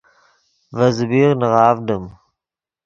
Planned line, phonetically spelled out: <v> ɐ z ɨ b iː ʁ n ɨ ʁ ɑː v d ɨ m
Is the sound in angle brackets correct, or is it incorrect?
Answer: correct